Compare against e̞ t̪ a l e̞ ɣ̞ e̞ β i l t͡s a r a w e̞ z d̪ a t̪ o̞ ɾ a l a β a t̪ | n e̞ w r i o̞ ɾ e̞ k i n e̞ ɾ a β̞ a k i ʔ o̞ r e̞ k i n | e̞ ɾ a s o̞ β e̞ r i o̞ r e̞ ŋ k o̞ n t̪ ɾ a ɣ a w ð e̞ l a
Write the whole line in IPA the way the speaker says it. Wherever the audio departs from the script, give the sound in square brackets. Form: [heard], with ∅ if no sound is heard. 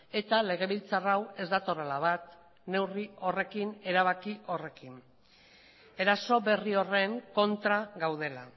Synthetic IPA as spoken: e̞ t̪ a l e̞ ɣ̞ e̞ β i l t͡s a r a w e̞ z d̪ a t̪ o̞ ɾ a l a β a t̪ | n e̞ w r i o̞ [r] e̞ k i n e̞ ɾ a β̞ a k i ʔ o̞ r e̞ k i n | e̞ ɾ a s o̞ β e̞ r i o̞ r e̞ ŋ k o̞ n t̪ ɾ a ɣ a w ð e̞ l a